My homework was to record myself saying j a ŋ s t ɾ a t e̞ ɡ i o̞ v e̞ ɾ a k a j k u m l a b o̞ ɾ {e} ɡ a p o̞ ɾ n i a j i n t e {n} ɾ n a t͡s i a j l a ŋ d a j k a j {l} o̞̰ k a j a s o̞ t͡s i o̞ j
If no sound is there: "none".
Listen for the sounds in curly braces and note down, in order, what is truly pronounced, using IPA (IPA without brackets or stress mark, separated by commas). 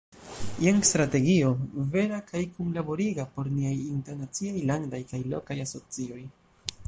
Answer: i, none, l